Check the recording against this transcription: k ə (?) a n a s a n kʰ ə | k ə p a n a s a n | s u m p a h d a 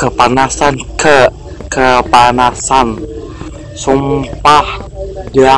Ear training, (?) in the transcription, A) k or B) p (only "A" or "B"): B